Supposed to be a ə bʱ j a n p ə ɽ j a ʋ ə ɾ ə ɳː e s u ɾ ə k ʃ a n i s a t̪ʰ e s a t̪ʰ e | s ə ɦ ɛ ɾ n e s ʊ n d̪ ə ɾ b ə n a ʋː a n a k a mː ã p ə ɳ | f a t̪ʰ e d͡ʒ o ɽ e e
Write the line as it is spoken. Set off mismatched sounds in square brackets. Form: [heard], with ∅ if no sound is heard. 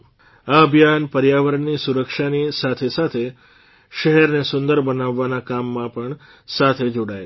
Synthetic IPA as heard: a ə bʱ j a n p ə [ɾ] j a ʋ ə ɾ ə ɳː [i] s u ɾ ə k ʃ a n i s a t̪ʰ e s a t̪ʰ e | [ʃ] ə ɦ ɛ ɾ n e s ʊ n d̪ ə ɾ b ə n a ʋː a n a k a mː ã p ə ɳ | [s] a t̪ʰ e d͡ʒ o ɽ [a] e